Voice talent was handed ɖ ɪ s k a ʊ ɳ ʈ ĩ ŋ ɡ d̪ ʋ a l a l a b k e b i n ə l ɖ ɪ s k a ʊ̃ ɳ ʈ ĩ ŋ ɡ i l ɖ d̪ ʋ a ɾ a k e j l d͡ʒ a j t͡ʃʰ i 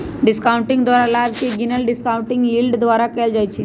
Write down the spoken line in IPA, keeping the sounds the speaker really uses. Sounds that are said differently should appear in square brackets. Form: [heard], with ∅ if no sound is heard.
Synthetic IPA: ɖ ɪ s k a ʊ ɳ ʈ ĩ ŋ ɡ d̪ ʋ a [ɾ] a l a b k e [ɡ] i n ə l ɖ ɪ s k a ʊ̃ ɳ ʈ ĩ ŋ ɡ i l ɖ d̪ ʋ a ɾ a k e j l d͡ʒ a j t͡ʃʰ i